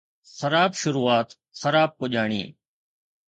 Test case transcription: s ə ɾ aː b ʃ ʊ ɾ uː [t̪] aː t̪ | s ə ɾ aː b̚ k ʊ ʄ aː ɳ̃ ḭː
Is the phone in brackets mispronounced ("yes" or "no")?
yes